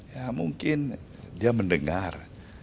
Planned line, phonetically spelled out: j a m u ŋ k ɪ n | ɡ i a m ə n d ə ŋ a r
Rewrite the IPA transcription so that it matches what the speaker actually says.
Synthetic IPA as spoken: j a m u ŋ k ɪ n | d i a m ə n d ə ŋ a r